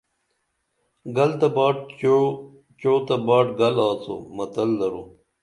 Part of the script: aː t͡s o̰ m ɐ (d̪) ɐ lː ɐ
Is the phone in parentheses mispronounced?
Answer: yes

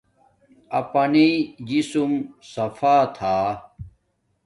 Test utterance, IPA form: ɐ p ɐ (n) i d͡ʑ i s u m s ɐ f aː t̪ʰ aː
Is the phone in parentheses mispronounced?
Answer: no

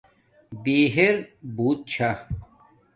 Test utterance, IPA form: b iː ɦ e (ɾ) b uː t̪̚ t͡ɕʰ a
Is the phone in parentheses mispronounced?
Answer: no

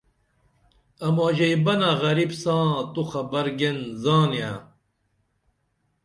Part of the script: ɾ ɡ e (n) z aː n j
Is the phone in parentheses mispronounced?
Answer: no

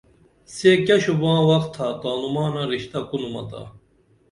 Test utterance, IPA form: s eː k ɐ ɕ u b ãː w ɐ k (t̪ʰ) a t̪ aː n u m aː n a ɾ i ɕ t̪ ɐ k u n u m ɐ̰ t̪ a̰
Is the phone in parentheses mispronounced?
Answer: no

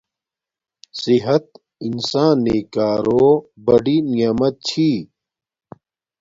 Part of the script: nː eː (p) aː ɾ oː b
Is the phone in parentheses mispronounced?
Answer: yes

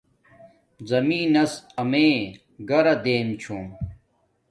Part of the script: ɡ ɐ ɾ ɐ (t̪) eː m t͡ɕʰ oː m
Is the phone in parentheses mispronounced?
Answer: yes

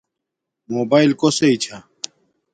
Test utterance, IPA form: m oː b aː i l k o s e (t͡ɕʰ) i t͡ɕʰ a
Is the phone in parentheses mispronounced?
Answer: yes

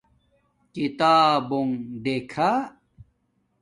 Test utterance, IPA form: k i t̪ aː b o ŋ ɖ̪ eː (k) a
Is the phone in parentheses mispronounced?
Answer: yes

